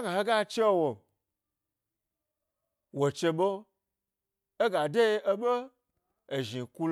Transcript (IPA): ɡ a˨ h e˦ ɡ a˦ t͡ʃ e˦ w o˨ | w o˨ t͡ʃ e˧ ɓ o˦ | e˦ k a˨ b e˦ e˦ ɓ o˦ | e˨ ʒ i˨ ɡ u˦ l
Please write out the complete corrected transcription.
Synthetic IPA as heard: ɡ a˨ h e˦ ɡ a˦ t͡ʃ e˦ w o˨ | w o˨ t͡ʃ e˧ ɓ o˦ | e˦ ɡ a˨ d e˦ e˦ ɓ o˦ | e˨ ʒ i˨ k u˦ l